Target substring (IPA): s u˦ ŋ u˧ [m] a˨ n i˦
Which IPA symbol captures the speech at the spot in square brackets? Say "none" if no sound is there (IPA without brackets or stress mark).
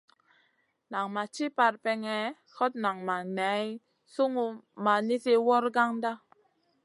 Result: m